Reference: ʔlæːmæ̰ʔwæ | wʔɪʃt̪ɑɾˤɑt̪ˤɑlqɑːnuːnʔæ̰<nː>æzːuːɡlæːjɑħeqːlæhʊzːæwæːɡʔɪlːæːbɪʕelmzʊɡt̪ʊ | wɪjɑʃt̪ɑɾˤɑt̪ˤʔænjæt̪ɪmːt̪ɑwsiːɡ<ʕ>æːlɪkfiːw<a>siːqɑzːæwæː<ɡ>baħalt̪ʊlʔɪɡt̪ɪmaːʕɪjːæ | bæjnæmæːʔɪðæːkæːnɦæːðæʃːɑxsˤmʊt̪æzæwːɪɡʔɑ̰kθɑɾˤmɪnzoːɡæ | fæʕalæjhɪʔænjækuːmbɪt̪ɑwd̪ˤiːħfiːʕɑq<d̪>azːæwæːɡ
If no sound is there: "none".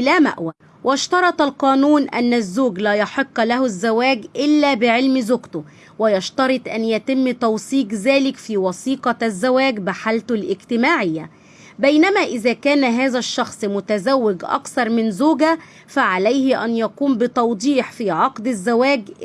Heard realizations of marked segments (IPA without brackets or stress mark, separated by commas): nː, z, ɑ, ɡ, d̪